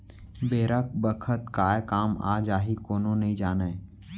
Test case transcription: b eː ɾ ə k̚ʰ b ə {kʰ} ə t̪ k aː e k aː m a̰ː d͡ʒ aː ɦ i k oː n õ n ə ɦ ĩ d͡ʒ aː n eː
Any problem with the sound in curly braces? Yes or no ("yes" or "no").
no